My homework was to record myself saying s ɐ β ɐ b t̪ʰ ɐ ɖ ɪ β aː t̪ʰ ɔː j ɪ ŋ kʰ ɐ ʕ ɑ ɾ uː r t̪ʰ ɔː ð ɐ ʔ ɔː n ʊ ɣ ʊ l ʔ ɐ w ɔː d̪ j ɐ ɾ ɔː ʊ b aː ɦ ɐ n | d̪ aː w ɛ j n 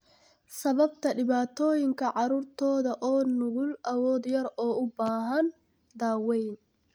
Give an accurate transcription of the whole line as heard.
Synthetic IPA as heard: s ɐ β ɐ b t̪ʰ ɐ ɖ ɪ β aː t̪ʰ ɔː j ɪ ŋ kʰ ɐ ʕ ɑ ɾ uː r t̪ʰ ɔː ð ɐ ʔ ɔː n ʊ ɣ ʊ l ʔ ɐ w ɔː d̪ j ɐ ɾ ɔː ʊ b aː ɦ ɐ n | d̪ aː w ɛ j n